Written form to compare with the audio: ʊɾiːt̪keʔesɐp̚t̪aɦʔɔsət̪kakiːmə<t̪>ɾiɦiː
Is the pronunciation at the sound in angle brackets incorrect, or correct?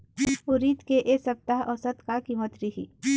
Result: correct